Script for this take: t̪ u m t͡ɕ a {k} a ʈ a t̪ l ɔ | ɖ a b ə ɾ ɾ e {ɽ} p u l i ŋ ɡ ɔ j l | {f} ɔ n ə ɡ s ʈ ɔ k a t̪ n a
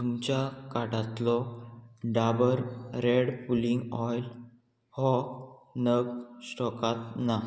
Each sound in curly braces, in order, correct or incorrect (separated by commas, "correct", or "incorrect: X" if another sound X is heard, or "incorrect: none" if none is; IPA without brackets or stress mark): correct, correct, incorrect: h